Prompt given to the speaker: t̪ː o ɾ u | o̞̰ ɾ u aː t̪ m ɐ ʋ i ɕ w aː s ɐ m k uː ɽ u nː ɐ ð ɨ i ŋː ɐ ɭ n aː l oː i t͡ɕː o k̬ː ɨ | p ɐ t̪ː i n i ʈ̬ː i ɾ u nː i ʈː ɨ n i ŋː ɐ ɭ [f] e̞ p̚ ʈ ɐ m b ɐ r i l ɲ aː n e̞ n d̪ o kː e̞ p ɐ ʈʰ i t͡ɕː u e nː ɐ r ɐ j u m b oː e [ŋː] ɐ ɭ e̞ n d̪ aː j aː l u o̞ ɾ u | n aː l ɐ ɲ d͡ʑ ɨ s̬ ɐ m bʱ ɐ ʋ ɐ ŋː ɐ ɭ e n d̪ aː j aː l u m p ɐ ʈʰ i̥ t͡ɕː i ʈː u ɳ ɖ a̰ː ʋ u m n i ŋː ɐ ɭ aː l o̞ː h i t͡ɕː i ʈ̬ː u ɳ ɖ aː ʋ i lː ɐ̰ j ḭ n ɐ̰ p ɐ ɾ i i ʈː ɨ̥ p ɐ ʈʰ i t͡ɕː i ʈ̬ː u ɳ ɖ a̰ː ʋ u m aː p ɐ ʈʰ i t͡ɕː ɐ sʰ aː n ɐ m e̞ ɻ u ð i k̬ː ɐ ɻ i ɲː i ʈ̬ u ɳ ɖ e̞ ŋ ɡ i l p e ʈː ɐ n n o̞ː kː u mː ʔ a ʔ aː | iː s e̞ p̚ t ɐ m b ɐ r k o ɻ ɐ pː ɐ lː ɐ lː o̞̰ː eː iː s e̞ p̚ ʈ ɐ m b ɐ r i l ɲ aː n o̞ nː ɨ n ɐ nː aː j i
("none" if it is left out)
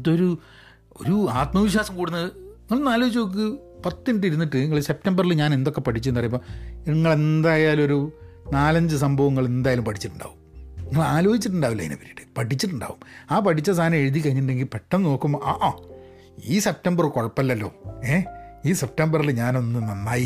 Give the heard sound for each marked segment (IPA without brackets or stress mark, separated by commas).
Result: s, ŋː